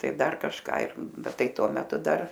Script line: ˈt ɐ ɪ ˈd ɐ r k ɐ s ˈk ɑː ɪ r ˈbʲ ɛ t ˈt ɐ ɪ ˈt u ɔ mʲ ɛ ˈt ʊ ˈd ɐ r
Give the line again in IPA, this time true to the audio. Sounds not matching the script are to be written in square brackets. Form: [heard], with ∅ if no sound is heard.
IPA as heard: ˈt ɐ ɪ ˈd ɐ r k ɐ [ʃ] ˈk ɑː ɪ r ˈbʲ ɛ t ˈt ɐ ɪ ˈt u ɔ mʲ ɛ ˈt ʊ ˈd ɐ r